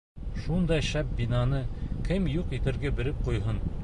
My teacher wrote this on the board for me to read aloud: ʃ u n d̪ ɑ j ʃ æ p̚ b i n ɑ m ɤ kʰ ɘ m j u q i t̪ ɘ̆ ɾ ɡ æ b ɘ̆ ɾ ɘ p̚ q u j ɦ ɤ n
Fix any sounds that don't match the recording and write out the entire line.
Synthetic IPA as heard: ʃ u n d̪ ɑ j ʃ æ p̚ b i n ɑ n ɤ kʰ ɘ m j u q i t̪ ɘ̆ ɾ ɡ æ b ɘ̆ ɾ ɘ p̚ q u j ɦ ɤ n